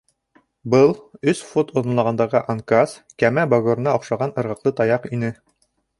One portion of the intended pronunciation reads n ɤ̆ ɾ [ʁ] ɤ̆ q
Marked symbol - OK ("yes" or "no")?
yes